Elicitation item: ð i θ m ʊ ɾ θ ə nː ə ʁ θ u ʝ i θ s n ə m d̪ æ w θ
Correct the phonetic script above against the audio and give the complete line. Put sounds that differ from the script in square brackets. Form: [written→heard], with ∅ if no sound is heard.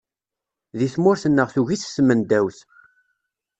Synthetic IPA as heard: ð i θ m ʊ ɾ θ ə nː ə ʁ θ u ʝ i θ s [n→m] ə [m→n] d̪ æ w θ

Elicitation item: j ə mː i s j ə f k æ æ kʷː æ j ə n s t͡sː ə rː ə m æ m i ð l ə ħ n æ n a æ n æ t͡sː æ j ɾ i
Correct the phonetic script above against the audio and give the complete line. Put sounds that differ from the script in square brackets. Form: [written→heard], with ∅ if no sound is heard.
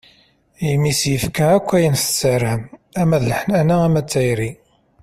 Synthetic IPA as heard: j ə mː i s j ə f k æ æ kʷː æ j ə n s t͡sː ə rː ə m æ m [i→æ] ð l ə ħ n æ n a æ [n→m] æ t͡sː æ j ɾ i

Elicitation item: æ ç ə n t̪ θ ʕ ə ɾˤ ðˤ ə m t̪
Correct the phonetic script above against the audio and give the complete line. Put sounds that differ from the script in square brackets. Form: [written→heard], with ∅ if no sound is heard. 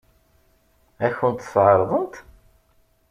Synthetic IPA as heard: æ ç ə n t̪ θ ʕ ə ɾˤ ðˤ ə [m→n] t̪

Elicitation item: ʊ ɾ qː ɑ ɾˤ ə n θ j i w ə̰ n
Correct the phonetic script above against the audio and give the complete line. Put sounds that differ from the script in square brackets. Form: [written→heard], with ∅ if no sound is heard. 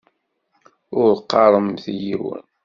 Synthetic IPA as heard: ʊ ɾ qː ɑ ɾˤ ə [n→m] θ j i w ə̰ n

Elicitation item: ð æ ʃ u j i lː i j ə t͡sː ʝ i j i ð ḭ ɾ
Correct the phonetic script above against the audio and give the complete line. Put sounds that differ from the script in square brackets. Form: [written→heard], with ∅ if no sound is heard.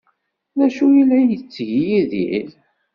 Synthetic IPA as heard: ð æ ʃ u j i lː [i→æ] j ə t͡sː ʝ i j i ð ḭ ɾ

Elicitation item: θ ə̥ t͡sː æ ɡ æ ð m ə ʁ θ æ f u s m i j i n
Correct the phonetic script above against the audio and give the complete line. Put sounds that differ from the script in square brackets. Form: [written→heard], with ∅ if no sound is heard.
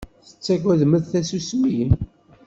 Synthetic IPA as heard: θ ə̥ t͡sː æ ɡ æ ð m ə [ʁ→ð] θ æ [f→s] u s m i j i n

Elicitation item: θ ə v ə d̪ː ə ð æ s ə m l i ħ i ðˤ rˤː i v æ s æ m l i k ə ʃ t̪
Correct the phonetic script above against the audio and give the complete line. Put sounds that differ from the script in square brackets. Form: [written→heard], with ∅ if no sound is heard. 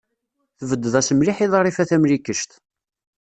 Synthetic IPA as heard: θ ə v ə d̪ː ə ð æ s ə m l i ħ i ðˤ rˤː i [v→f] æ [s→θ] æ m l i k ə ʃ t̪

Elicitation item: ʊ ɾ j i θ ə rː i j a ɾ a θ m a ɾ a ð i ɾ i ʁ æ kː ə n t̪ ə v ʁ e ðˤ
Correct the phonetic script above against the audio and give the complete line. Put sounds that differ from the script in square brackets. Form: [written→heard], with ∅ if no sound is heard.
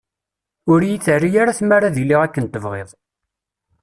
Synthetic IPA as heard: ʊ ɾ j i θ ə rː i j a ɾ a θ m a ɾ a ð i [ɾ→l] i ʁ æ kː ə n t̪ ə v ʁ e ðˤ

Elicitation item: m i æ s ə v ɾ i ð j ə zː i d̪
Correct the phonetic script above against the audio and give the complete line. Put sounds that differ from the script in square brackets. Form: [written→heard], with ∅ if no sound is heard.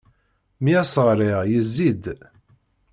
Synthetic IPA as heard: m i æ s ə [v→ʁ] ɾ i [ð→ʁ] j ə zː i d̪

